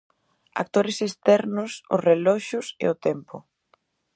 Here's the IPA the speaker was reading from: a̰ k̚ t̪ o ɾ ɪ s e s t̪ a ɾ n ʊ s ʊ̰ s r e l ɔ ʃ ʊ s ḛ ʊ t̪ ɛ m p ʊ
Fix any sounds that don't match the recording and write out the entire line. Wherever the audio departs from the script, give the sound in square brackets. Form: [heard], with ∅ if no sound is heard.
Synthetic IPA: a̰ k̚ t̪ o ɾ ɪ s e s t̪ [ɛ] ɾ n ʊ s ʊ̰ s r e l ɔ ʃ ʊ s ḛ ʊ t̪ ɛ m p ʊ